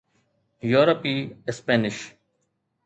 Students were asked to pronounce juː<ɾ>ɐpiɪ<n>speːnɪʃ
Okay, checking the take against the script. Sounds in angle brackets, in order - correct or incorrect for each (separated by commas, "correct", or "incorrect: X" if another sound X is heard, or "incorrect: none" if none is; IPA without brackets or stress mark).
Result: correct, incorrect: none